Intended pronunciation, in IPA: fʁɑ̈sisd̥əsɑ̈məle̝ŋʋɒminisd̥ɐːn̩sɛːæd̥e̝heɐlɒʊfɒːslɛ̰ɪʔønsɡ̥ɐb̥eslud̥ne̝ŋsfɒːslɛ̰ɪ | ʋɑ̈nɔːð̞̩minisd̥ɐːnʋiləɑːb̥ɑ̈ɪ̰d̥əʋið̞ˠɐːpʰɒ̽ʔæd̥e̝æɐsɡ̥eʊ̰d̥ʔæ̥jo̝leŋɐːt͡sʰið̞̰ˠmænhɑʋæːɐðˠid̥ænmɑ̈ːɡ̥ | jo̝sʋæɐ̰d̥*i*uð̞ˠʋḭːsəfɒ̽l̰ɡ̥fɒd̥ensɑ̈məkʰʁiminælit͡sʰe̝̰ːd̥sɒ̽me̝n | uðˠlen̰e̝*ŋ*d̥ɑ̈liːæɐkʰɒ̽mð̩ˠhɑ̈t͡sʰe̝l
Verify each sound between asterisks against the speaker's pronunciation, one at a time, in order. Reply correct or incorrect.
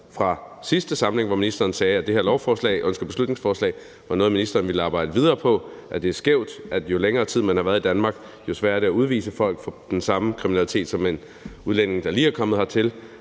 incorrect: æ, correct

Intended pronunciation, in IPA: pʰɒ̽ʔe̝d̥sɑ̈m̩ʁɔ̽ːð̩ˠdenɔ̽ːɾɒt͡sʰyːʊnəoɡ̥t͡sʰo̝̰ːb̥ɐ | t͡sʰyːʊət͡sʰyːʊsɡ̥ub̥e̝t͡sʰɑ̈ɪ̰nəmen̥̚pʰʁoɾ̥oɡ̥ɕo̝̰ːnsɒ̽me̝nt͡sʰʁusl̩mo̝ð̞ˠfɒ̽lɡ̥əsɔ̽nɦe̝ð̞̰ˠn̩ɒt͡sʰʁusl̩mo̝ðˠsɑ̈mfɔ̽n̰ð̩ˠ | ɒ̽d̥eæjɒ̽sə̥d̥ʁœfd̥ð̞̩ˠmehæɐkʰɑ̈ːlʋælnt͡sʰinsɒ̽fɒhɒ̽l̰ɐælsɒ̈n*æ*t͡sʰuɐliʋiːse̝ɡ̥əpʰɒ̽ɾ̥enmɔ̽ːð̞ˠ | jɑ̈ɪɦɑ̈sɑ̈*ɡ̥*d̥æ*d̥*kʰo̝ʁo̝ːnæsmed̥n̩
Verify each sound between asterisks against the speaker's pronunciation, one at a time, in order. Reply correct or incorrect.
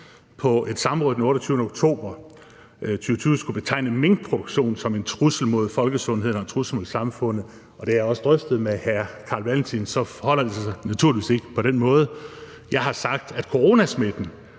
correct, correct, correct

